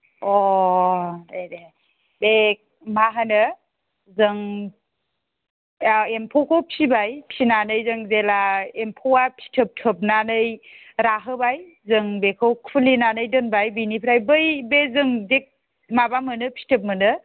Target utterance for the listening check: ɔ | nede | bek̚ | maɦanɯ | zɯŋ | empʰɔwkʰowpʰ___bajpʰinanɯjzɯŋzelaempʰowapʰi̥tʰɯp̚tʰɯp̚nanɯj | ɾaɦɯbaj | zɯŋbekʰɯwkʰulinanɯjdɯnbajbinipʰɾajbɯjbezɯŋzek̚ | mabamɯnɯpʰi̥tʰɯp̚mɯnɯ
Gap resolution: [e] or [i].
i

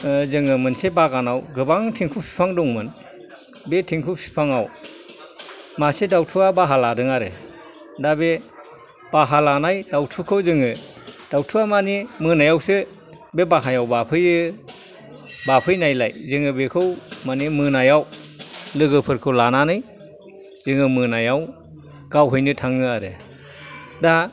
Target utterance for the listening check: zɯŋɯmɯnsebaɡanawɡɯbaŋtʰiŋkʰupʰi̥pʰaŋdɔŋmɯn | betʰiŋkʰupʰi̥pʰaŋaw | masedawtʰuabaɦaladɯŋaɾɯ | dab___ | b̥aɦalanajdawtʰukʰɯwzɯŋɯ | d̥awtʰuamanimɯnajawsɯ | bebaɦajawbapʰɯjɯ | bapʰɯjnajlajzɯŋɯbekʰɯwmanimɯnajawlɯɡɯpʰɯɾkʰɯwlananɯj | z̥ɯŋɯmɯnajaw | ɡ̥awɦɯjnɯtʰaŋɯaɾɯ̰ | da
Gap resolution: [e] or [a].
e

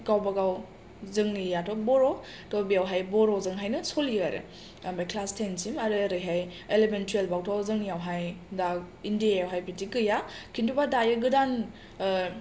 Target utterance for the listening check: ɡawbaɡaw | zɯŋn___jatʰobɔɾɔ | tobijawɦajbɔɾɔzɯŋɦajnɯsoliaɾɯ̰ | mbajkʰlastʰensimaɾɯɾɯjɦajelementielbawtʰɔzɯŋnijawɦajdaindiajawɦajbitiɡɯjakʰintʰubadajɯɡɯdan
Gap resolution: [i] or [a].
i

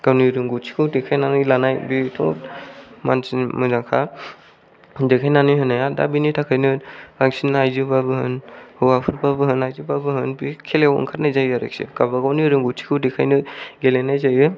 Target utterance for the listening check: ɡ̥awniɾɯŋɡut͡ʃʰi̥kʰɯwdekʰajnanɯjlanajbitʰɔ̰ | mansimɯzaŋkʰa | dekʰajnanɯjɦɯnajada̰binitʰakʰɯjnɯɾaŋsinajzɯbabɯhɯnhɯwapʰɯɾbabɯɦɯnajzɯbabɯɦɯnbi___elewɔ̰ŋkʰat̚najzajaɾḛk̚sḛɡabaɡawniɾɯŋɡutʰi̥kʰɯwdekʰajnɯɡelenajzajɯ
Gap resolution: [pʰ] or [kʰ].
kʰ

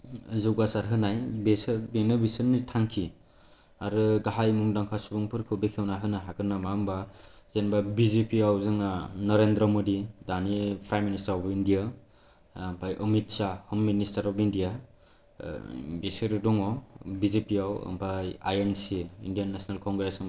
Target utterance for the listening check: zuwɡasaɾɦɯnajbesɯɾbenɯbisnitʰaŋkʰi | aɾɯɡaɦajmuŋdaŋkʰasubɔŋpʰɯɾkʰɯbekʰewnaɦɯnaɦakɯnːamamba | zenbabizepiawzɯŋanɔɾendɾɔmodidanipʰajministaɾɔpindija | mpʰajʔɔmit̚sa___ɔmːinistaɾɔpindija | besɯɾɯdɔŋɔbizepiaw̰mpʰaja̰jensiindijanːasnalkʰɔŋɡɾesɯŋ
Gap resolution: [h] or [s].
h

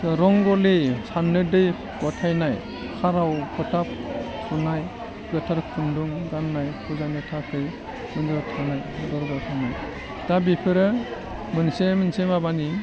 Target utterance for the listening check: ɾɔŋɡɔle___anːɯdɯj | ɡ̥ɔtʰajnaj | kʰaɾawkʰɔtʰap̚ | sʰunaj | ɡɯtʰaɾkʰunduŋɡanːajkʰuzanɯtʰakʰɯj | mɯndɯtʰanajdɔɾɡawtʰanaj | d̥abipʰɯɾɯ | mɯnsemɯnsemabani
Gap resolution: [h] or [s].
s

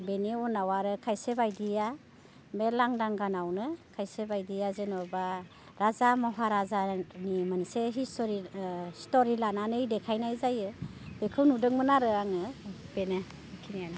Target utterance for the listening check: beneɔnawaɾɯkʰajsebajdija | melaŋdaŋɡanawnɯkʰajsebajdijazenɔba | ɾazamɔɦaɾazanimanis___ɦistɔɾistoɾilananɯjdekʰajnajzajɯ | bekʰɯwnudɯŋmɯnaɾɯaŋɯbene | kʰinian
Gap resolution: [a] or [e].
e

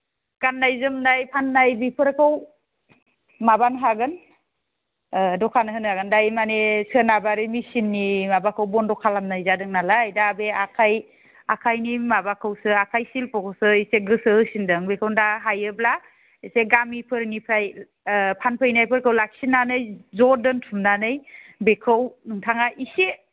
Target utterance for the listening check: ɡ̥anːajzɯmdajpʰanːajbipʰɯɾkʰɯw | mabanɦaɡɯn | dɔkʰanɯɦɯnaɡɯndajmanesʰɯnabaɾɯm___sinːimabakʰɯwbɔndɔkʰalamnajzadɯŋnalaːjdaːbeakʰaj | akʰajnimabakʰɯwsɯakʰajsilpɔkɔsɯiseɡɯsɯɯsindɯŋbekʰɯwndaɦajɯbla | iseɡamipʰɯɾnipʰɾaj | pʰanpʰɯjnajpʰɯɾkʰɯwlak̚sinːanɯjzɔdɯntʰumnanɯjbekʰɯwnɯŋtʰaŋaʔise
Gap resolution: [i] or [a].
i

